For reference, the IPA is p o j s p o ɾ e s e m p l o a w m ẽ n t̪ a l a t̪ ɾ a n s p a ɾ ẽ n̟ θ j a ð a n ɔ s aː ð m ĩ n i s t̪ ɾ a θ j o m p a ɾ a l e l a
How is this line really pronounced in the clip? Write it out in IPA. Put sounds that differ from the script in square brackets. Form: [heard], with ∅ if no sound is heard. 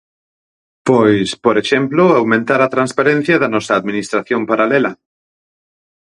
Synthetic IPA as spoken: p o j s p o ɾ e [ʃ] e m p l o a w m ẽ n t̪ a [ɾ] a t̪ ɾ a n s p a ɾ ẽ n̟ θ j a ð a n ɔ s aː ð m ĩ n i s t̪ ɾ a θ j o m p a ɾ a l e l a